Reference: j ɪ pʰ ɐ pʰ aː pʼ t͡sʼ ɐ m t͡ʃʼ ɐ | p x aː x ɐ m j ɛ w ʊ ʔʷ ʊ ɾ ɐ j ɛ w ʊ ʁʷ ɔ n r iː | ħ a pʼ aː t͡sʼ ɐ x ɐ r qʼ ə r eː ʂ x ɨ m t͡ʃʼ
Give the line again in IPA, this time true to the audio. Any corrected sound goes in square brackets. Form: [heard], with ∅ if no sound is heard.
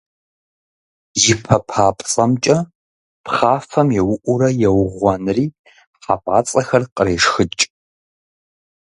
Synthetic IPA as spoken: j ɪ pʰ ɐ pʰ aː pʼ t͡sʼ ɐ m t͡ʃʼ ɐ | p [χ] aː [f] ɐ m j ɛ w ʊ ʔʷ ʊ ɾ ɐ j ɛ w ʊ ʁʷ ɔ n r iː | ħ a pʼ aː t͡sʼ ɐ x ɐ r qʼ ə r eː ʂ x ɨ [∅] t͡ʃʼ

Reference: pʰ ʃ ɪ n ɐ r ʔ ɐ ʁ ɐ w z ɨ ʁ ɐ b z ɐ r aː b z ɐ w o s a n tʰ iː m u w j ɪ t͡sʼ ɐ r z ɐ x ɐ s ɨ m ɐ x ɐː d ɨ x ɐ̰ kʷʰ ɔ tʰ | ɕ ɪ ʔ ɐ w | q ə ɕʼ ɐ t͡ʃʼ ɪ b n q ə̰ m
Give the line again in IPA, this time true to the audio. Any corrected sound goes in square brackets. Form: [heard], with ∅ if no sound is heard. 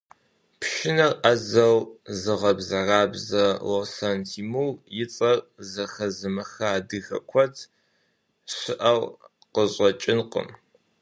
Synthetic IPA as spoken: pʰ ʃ ɪ n ɐ r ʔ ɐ [z] ɐ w z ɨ ʁ ɐ b z ɐ r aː b z ɐ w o s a n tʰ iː m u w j ɪ t͡sʼ ɐ r z ɐ x ɐ [z] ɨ m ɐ x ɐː d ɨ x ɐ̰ kʷʰ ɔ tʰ | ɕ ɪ ʔ ɐ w | q ə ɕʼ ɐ t͡ʃʼ ɪ [∅] n q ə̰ m

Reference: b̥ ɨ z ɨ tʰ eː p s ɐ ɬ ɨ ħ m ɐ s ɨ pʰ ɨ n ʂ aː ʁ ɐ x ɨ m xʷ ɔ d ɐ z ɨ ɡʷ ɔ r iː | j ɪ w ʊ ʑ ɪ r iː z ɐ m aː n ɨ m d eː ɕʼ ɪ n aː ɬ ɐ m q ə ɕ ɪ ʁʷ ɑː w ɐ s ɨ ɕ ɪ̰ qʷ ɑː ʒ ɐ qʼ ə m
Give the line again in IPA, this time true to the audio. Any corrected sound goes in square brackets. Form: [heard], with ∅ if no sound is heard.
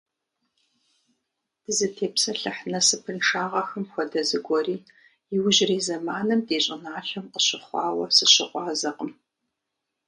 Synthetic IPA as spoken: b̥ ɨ z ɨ tʰ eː p s ɐ ɬ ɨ ħ [n] ɐ s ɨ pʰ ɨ n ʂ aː ʁ ɐ x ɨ m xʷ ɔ d ɐ z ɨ ɡʷ ɔ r iː | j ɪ w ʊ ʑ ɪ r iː z ɐ m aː n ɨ m d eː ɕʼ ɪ n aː ɬ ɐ m q ə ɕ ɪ [χʷ] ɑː w ɐ s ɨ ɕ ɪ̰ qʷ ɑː [z] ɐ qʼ ə m

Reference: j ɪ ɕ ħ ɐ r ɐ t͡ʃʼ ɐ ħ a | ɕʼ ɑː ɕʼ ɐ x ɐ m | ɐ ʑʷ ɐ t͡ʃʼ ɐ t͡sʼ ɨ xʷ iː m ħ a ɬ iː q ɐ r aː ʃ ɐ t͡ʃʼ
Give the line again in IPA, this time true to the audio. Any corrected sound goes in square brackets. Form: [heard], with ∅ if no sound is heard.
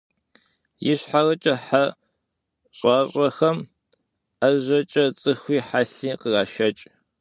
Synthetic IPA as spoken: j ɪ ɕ ħ [a] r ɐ t͡ʃʼ ɐ ħ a | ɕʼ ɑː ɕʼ ɐ x ɐ m | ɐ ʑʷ ɐ t͡ʃʼ ɐ t͡sʼ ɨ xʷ iː [∅] ħ a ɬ iː q [ə] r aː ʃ ɐ t͡ʃʼ

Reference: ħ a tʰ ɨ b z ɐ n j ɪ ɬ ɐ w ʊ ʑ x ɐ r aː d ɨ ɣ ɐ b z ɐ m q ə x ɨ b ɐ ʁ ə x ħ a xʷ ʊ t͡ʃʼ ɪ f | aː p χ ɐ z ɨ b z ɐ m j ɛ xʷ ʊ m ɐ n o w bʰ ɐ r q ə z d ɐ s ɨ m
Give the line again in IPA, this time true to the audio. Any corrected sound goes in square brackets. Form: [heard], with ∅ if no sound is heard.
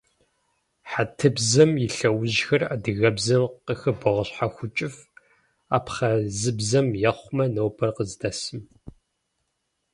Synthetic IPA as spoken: ħ a tʰ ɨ b z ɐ [m] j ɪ ɬ ɐ w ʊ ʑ x ɐ r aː d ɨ ɣ ɐ b z ɐ m q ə x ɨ b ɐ ʁ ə [ɕ] ħ a xʷ ʊ t͡ʃʼ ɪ f | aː p χ ɐ z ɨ b z ɐ m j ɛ [χʷ] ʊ m ɐ n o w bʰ ɐ r q ə z d ɐ s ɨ m

